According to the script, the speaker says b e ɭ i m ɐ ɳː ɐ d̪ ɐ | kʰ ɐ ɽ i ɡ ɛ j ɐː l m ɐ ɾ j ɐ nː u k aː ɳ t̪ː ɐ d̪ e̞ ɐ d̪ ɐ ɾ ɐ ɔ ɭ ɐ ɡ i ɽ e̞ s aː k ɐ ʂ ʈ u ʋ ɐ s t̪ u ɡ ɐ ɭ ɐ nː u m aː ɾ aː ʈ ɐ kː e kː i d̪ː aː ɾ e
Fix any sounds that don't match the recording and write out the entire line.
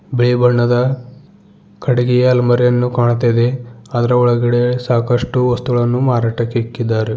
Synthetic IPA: b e ɭ i b ɐ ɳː ɐ d̪ ɐ | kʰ ɐ ɽ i ɡ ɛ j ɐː l m ɐ ɾ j ɐ nː u k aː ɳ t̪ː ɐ d̪ e̞ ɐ d̪ ɐ ɾ ɐ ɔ ɭ ɐ ɡ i ɽ e̞ s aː k ɐ ʂ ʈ u ʋ ɐ s t̪ u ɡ ɐ ɭ ɐ nː u m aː ɾ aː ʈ ɐ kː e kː i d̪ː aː ɾ e

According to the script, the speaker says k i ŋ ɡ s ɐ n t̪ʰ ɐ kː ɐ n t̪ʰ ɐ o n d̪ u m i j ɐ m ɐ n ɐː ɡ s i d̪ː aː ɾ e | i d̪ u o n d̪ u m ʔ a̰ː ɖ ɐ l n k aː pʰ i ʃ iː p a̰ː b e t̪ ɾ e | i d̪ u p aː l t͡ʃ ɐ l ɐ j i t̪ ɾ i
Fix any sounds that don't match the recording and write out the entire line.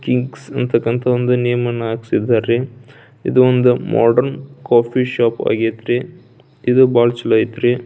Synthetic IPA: k i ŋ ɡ s ɐ n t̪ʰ ɐ kː ɐ n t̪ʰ ɐ o n d̪ u n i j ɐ m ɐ n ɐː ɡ s i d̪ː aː ɾ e | i d̪ u o n d̪ u m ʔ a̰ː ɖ ɐ ɾ n k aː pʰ i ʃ aː p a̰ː ɡ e t̪ ɾ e | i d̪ u b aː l t͡ʃ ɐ l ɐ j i t̪ ɾ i

